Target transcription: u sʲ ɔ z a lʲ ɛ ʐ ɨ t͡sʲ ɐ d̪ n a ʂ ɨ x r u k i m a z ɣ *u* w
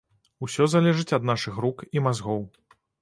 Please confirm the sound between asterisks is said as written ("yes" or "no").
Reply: no